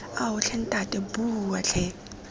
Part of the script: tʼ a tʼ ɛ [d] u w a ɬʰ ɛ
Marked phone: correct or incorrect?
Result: incorrect: b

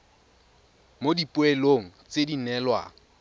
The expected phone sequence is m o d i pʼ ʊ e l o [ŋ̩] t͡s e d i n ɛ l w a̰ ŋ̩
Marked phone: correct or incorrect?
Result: correct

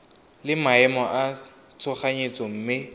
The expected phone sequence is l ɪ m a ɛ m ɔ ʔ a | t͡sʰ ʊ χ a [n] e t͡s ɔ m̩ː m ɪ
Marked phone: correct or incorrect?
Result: incorrect: ɲ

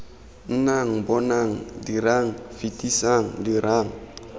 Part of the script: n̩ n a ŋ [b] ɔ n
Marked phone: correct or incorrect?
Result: correct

